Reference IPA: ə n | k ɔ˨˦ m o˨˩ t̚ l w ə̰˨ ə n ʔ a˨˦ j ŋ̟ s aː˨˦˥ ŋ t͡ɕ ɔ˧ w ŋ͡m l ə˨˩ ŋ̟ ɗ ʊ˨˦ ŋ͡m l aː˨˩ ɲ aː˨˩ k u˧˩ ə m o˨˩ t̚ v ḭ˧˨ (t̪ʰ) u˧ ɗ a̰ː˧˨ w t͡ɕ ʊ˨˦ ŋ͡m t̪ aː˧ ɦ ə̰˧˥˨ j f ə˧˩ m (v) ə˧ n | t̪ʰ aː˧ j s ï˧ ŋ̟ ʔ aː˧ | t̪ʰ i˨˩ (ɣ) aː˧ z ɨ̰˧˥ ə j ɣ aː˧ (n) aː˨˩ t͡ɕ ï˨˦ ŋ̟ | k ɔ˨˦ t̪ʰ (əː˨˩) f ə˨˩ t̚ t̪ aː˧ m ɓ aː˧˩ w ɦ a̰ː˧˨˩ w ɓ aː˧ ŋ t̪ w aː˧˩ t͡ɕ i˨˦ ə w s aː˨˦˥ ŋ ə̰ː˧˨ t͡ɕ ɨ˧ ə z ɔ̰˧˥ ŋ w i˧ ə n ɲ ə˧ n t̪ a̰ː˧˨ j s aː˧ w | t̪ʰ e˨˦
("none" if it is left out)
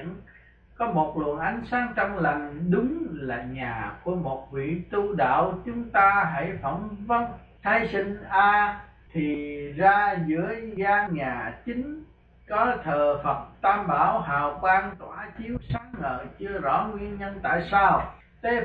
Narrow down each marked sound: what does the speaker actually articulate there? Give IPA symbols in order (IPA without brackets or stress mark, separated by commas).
t̪, v, z, ɲ, əː˨˩